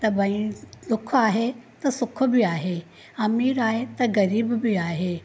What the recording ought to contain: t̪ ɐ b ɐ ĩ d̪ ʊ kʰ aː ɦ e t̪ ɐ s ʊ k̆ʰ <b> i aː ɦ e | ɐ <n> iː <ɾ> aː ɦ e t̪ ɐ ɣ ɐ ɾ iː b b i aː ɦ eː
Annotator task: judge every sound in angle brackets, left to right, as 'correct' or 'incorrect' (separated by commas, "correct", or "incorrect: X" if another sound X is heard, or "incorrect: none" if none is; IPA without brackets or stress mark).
correct, incorrect: m, correct